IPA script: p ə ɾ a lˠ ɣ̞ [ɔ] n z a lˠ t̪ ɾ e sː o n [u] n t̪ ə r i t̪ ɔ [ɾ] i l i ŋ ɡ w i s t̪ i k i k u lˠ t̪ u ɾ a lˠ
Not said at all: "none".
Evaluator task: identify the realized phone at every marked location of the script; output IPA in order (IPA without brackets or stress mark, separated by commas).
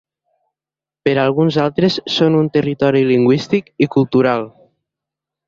u, u, ɾ